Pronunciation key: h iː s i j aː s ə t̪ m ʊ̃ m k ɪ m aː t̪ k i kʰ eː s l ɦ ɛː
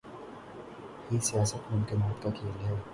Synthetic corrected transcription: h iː s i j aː s ə t̪ m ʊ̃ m k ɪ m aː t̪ k a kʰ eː l ɦ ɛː